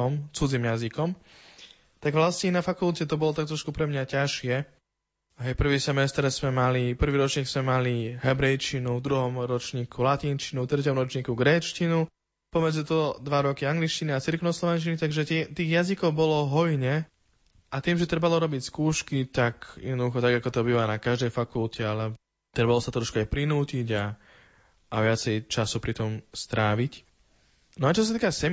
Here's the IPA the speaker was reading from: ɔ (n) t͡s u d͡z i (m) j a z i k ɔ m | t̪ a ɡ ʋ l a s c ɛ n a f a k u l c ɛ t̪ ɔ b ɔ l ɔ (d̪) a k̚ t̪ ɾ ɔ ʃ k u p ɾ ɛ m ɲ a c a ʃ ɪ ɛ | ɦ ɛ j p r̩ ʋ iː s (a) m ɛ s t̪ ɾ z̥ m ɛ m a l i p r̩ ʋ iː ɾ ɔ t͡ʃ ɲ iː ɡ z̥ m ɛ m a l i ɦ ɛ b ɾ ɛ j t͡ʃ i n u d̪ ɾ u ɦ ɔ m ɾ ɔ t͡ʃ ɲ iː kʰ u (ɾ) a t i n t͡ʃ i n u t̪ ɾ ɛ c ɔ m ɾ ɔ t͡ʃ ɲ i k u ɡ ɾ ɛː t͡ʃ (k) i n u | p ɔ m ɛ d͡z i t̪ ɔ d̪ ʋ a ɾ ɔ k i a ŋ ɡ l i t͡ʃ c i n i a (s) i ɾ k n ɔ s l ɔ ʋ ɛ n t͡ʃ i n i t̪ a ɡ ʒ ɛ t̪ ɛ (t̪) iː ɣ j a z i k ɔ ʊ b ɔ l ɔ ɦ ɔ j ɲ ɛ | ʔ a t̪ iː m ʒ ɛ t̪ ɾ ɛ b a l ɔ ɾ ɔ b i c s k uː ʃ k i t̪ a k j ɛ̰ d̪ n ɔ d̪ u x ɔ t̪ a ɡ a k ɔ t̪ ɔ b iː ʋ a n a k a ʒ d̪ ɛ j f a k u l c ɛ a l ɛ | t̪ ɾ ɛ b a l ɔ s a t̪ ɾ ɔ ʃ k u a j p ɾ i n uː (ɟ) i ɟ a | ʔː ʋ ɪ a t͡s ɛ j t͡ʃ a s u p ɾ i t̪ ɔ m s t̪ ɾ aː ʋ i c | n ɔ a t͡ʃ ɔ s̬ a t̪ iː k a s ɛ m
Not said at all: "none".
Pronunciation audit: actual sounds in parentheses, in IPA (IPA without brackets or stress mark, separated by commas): m, m, t̪, ɛ, l, c, t͡s, t̪, c